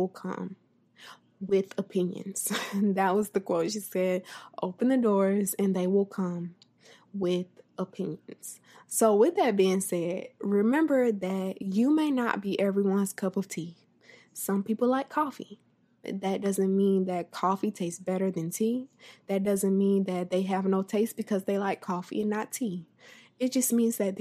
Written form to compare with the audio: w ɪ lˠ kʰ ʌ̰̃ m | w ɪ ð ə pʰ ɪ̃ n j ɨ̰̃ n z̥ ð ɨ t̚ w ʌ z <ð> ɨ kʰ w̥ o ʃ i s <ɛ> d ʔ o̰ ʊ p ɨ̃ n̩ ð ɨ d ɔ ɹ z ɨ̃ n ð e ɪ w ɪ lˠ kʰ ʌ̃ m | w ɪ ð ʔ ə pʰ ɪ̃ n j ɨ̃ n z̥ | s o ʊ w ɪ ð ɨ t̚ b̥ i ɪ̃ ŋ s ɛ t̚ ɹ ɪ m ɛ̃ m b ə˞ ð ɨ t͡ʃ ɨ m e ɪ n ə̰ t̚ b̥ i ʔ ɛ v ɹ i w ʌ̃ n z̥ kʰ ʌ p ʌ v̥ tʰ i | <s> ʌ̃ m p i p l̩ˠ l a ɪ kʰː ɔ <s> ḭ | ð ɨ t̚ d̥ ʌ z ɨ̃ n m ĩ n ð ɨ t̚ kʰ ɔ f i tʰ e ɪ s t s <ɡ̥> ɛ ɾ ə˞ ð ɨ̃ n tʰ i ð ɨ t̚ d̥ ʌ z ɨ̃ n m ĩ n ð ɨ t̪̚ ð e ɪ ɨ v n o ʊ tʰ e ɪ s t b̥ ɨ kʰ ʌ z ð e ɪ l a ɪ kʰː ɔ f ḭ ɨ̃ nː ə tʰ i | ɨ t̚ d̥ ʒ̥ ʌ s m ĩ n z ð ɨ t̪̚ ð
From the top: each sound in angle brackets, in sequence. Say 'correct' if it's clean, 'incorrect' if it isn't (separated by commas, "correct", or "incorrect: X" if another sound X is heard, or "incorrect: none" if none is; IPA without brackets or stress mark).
correct, correct, correct, incorrect: f, incorrect: b̥